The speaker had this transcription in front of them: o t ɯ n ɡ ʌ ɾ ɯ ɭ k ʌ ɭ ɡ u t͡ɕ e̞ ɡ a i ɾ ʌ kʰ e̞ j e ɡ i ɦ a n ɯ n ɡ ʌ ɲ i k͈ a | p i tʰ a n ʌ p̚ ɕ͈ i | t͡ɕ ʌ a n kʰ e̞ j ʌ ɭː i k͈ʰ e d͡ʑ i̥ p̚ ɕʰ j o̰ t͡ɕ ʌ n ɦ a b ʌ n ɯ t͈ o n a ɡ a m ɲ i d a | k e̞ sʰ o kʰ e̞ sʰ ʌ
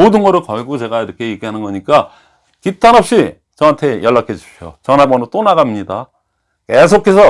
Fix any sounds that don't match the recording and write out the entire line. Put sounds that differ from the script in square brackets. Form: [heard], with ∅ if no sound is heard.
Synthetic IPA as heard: o [d] ɯ n ɡ ʌ ɾ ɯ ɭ k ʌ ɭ ɡ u t͡ɕ e̞ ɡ a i ɾ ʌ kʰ e̞ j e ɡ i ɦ a n ɯ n ɡ ʌ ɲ i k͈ a | [k] i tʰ a n ʌ p̚ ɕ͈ i | t͡ɕ ʌ a n [tʰ] e̞ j ʌ ɭː [a] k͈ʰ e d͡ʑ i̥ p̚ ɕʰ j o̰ t͡ɕ ʌ n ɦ a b ʌ n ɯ t͈ o n a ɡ a m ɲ i d a | k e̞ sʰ o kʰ e̞ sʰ ʌ